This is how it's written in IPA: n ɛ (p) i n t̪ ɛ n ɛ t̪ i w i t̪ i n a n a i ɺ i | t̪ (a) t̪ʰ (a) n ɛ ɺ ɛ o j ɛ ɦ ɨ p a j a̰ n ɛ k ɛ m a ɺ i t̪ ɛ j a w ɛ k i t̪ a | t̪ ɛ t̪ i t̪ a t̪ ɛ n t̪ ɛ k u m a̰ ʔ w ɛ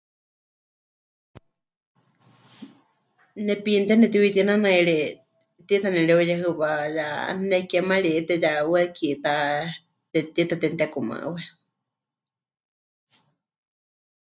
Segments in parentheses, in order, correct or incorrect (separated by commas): correct, incorrect, correct